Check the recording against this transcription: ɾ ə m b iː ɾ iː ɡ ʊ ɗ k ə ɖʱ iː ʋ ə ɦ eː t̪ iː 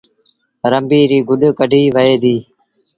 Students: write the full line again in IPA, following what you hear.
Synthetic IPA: ɾ ə m b iː ɾ iː ɡ ʊ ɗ k ə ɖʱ iː ʋ ə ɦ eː d̪ iː